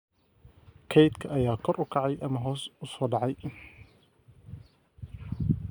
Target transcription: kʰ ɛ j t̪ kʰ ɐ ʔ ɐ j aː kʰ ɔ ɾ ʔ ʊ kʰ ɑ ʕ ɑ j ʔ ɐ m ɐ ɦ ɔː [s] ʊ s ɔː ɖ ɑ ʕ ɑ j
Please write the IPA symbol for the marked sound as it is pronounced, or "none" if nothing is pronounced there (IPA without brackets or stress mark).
s